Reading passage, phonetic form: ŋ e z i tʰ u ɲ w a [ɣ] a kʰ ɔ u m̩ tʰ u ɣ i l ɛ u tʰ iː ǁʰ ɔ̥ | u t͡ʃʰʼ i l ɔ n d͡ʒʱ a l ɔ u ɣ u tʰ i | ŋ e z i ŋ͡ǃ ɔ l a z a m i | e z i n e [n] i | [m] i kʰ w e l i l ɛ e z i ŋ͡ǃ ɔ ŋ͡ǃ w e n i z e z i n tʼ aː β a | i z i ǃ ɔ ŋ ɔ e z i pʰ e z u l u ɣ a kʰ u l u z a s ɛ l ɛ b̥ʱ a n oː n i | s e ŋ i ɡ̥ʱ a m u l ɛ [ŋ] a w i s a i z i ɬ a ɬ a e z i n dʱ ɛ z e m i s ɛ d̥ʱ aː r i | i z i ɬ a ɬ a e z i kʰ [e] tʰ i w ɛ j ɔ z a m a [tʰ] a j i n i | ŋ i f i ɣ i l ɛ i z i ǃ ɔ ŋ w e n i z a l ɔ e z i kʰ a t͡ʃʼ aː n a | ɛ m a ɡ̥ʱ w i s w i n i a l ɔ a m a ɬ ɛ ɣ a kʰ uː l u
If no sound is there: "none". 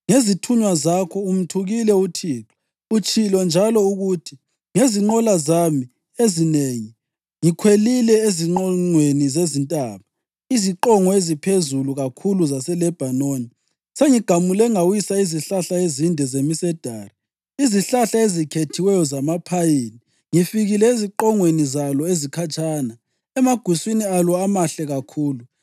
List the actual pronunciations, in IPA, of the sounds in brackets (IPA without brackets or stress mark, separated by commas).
z, ŋ, ŋ, ŋ, e, pʰ